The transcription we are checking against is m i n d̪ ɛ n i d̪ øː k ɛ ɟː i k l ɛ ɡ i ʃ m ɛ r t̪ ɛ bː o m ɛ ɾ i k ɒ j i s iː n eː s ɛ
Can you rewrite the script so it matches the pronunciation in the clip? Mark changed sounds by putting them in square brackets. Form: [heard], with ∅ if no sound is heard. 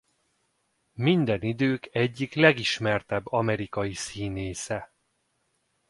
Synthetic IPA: m i n d̪ ɛ n i d̪ øː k ɛ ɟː i k l ɛ ɡ i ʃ m ɛ r t̪ ɛ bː [ɒ] m ɛ ɾ i k ɒ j i s iː n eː s ɛ